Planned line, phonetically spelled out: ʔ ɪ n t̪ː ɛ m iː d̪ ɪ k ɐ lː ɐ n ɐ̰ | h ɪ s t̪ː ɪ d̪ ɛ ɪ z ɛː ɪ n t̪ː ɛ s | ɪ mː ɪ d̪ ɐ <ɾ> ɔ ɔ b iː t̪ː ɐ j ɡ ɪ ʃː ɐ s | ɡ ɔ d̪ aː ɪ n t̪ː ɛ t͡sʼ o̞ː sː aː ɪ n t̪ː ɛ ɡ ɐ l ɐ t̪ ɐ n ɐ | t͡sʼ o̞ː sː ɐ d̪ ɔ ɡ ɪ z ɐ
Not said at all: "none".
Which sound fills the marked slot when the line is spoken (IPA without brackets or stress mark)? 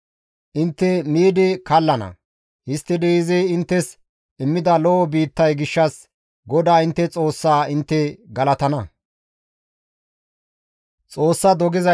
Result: l